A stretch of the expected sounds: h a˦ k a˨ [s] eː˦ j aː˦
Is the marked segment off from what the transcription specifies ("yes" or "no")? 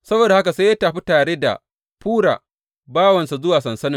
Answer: no